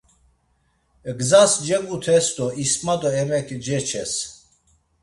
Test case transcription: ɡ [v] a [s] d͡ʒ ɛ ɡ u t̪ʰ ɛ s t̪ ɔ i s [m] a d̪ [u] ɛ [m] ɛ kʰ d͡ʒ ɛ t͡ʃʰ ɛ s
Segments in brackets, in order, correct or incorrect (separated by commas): incorrect, correct, correct, incorrect, correct